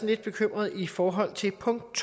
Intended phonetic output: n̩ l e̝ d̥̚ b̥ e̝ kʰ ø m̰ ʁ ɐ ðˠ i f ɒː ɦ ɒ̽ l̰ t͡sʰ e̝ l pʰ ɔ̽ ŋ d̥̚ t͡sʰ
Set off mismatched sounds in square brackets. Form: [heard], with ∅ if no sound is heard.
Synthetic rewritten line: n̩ l e̝ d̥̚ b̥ e̝ kʰ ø m̰ ʁ ɐ ðˠ i f ɒː ɦ ɒ̽ l̰ t͡sʰ e̝ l pʰ ɔ̽ ŋ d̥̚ t͡sʰ